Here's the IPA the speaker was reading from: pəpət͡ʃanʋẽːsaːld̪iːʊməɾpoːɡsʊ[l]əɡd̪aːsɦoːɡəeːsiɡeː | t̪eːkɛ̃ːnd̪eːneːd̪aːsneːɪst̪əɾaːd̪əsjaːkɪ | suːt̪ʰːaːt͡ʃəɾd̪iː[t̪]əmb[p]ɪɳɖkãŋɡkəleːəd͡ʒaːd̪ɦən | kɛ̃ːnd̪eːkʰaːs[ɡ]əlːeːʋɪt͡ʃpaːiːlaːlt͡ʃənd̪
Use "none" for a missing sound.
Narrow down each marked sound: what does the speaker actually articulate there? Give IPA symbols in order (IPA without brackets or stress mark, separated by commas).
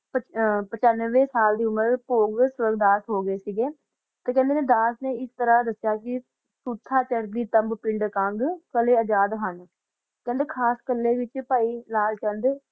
ɾ, t̪, p, k